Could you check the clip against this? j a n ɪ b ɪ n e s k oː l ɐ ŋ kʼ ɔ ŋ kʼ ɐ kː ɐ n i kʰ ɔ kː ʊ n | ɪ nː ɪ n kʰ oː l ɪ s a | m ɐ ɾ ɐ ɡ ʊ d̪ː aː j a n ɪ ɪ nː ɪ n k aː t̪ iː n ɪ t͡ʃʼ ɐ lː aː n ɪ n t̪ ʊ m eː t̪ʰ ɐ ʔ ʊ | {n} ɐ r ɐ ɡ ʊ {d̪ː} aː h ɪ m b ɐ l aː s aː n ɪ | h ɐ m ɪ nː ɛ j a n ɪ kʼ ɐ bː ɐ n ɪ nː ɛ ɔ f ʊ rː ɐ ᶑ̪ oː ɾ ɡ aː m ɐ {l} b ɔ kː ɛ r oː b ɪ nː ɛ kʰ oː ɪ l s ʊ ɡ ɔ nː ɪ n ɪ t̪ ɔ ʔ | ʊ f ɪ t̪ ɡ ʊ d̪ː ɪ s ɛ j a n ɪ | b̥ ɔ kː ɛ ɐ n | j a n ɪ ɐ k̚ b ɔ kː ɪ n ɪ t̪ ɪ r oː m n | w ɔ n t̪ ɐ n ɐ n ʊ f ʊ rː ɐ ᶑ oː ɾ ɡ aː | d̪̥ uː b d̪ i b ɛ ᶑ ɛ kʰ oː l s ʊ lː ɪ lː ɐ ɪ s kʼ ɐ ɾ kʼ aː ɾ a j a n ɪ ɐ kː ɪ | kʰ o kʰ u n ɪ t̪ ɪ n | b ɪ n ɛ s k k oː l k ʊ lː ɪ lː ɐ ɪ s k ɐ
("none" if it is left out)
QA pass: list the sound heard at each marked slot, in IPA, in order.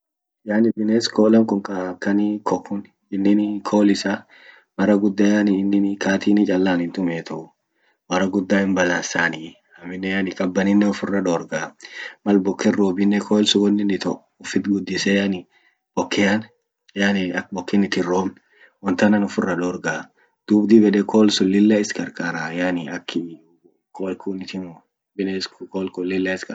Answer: m, d̪ː, l

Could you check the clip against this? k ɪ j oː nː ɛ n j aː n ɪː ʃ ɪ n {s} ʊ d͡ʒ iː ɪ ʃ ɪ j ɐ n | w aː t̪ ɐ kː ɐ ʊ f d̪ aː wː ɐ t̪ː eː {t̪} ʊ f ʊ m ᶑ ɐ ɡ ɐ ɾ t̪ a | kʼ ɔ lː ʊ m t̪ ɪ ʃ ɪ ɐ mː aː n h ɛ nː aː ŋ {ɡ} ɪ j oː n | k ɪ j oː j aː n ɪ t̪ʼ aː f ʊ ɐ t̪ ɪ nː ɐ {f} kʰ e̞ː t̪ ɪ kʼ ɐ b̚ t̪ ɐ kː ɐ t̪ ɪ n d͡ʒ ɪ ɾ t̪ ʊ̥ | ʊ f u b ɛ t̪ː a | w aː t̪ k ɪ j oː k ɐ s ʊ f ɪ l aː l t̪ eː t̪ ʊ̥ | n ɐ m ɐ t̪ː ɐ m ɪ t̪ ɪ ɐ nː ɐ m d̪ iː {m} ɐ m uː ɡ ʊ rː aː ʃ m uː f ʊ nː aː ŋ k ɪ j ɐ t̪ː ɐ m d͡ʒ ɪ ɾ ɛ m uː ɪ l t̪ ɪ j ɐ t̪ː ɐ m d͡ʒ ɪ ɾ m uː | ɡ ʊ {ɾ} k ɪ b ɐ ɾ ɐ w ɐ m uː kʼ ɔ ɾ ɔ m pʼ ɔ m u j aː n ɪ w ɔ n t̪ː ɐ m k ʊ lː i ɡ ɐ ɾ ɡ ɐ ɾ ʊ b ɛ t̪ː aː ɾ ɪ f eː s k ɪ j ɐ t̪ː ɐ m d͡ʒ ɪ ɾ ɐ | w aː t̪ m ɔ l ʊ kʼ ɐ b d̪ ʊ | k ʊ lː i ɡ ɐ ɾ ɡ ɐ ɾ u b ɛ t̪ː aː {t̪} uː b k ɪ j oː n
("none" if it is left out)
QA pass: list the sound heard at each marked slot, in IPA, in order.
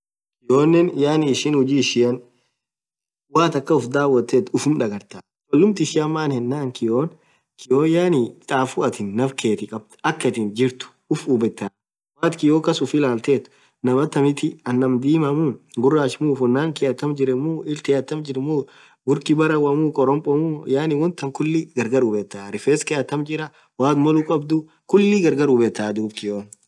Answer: h, t̪, k, f, m, ɾ, d̪

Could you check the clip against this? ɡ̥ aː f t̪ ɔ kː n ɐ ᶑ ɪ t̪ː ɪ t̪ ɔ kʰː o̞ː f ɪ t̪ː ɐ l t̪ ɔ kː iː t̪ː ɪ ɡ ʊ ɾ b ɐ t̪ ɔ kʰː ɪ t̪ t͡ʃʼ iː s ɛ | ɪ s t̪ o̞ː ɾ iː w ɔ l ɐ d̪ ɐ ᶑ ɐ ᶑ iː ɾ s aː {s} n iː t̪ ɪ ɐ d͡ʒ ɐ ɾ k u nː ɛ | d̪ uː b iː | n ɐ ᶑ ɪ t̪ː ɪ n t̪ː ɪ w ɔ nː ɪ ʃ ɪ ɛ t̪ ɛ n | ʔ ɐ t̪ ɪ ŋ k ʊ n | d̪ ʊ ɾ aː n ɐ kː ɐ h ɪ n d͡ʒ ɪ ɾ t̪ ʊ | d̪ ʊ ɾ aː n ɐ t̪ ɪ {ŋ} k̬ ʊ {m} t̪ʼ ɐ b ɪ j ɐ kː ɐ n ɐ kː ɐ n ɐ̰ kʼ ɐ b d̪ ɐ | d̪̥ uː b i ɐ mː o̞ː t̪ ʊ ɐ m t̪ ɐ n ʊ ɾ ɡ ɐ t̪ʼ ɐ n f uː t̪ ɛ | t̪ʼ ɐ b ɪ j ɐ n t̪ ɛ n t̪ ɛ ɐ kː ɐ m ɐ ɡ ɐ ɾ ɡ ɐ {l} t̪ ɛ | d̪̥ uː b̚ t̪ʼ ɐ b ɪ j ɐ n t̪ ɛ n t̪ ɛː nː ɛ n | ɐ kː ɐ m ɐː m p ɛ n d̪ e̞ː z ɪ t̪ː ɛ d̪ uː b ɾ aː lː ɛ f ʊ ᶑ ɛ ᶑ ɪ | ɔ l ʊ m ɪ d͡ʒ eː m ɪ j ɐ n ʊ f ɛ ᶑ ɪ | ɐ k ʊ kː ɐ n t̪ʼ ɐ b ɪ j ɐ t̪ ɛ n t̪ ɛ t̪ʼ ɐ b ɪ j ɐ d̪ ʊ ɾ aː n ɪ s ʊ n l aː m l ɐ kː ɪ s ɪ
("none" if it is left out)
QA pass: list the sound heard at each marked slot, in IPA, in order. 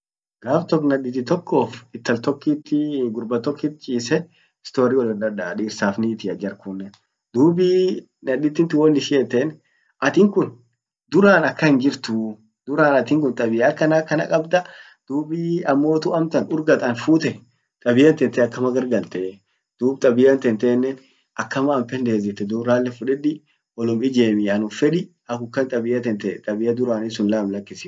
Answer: f, ŋ, n, l

